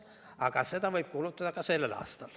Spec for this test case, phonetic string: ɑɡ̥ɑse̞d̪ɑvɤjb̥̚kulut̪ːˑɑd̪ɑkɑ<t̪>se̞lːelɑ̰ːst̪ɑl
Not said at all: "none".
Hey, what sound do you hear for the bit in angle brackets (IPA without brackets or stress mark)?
none